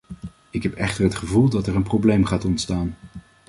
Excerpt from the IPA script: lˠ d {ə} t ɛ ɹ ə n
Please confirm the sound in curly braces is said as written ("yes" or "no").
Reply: no